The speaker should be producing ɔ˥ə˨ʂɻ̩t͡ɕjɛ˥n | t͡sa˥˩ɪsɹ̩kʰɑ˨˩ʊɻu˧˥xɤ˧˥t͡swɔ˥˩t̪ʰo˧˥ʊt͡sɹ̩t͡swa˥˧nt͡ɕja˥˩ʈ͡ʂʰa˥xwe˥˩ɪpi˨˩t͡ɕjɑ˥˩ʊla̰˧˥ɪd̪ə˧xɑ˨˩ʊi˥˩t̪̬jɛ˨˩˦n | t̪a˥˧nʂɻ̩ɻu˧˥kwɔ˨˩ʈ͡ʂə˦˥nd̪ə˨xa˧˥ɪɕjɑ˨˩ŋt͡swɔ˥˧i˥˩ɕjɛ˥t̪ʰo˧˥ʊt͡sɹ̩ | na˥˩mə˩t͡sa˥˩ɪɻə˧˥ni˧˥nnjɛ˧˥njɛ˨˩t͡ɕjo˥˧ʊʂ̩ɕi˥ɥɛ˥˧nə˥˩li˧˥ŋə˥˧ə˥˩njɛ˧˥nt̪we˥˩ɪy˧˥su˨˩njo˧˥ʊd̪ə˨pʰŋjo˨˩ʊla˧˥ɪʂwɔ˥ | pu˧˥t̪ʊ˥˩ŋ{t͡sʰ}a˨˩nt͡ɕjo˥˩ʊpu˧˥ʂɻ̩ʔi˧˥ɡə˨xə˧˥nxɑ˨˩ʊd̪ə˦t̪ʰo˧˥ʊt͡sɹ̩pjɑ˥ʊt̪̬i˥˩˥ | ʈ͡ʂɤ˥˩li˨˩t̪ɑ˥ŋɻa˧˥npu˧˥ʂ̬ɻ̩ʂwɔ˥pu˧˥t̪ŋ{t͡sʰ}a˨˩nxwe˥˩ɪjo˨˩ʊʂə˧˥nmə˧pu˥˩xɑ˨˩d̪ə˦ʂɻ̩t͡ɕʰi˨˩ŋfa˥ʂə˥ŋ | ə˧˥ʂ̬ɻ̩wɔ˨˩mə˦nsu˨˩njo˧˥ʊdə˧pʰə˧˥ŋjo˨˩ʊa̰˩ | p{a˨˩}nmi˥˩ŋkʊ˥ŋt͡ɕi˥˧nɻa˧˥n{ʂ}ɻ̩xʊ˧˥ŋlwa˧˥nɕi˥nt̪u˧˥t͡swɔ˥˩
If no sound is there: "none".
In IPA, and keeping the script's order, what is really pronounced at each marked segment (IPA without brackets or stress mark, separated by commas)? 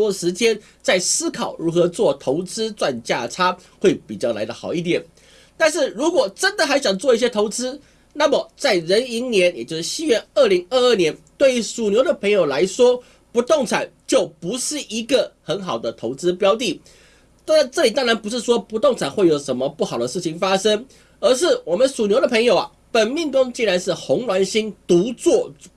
t͡sʰ, t͡sʰ, ə˨˩, ʂ